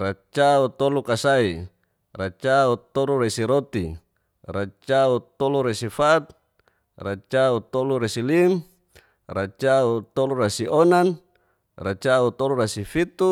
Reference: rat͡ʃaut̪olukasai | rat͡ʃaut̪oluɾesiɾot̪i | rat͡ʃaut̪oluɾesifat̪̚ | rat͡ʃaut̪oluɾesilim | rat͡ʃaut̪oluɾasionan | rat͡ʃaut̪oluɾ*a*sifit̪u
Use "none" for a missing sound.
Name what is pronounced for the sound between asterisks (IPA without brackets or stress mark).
a